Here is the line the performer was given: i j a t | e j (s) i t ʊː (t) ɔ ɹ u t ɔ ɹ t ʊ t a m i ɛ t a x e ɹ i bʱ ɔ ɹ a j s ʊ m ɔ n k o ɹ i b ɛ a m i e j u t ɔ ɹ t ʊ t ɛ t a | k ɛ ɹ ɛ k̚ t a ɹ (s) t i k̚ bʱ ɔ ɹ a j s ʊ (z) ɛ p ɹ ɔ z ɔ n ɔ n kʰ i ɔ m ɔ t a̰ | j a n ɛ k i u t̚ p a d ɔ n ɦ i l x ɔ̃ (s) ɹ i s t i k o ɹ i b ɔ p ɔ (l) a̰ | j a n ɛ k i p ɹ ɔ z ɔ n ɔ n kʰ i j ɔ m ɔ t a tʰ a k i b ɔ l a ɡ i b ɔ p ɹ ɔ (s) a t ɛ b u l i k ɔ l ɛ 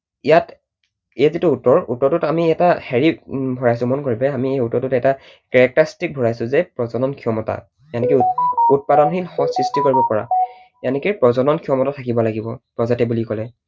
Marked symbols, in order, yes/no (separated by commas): no, yes, yes, yes, yes, no, no